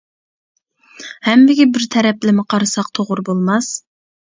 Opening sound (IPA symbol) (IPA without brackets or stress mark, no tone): h